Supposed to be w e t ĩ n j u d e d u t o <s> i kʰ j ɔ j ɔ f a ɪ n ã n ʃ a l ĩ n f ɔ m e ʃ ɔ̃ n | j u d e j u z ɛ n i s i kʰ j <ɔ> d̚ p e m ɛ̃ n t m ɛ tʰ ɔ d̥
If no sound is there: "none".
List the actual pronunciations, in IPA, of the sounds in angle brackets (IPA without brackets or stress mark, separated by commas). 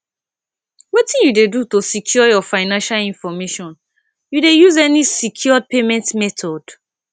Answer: s, ɔ